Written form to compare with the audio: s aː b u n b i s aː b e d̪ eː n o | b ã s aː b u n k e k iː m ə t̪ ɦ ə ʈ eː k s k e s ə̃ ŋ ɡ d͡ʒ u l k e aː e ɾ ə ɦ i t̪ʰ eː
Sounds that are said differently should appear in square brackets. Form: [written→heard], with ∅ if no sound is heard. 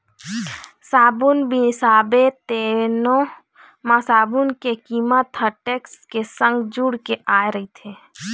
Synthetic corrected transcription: s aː b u n b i s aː b e [d̪→t̪] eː n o | [b→m] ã s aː b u n k e k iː m ə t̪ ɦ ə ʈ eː k s k e s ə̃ ŋ ɡ d͡ʒ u [l→ɽ] k e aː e ɾ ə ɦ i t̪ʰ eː